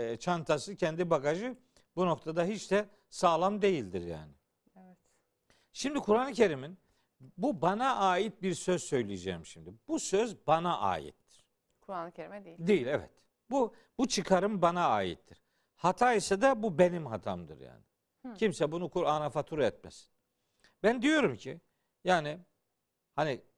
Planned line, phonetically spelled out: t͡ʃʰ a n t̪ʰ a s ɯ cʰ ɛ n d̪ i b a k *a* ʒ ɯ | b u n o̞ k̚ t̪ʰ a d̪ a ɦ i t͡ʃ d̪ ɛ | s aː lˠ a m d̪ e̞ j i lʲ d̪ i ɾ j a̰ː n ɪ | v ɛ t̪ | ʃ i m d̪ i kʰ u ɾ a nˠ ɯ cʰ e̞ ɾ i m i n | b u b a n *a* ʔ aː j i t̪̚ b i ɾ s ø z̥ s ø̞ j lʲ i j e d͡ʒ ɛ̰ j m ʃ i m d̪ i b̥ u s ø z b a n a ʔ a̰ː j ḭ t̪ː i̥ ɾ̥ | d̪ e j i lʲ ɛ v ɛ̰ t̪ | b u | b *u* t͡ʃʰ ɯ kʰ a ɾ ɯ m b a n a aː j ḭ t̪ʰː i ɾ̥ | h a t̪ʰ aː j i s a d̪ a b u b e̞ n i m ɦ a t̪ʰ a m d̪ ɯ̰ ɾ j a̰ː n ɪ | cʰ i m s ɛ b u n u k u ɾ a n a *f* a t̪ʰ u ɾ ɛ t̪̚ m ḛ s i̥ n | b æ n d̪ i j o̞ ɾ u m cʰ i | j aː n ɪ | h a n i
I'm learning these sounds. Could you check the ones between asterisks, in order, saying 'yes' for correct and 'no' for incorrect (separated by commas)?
yes, yes, yes, yes